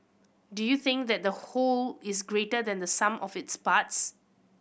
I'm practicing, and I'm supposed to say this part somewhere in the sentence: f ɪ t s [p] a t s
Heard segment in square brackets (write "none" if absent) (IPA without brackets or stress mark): p